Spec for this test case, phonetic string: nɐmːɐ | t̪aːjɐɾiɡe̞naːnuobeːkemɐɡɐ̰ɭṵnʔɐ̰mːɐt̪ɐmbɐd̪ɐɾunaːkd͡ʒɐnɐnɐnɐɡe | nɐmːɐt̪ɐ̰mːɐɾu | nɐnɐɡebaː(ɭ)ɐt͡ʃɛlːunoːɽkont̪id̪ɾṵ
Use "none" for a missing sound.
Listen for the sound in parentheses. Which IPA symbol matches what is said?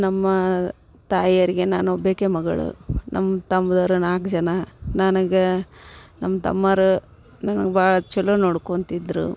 ɭ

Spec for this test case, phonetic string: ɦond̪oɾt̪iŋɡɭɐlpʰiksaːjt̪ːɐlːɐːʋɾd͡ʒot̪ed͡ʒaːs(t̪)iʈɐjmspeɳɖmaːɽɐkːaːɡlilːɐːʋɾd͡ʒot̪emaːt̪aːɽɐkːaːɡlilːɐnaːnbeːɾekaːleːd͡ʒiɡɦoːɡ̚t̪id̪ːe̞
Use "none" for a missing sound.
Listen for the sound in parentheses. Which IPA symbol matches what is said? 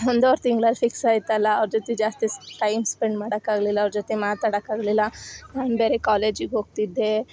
t̪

